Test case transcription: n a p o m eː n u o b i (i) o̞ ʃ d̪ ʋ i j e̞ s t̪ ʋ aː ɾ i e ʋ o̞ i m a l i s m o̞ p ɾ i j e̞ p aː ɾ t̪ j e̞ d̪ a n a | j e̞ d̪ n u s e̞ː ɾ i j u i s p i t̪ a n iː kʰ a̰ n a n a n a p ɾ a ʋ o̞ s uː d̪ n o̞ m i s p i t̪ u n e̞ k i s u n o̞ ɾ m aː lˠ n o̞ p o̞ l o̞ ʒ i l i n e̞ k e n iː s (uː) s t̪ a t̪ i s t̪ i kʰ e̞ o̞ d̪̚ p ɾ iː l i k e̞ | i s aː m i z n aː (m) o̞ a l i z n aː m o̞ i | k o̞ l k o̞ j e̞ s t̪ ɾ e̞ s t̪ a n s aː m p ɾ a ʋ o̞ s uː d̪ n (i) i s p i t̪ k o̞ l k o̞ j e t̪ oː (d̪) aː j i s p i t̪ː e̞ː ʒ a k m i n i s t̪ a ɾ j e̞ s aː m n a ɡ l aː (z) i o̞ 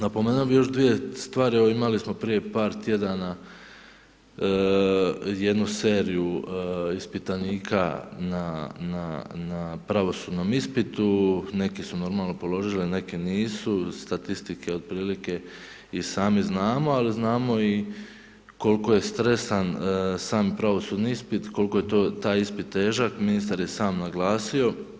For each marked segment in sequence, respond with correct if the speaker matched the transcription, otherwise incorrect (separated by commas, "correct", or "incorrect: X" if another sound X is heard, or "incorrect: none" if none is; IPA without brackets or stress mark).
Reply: incorrect: j, incorrect: u, correct, correct, incorrect: t̪, incorrect: s